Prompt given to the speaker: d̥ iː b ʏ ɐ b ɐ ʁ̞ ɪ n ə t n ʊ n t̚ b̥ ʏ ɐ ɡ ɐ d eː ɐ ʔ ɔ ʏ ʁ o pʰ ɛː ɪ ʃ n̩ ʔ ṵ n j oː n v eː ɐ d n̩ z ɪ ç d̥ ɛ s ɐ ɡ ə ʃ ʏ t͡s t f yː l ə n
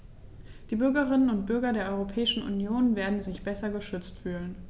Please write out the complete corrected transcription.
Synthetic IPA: d̥ iː b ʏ ɐ ɡ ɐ ʁ̞ ɪ n ə n ʊ n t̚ b̥ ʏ ɐ ɡ ɐ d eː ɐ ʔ ɔ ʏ ʁ o pʰ ɛː ɪ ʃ n̩ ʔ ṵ n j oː n v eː ɐ d n̩ z ɪ ç b̥ ɛ s ɐ ɡ ə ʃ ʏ t͡s t f yː l ə n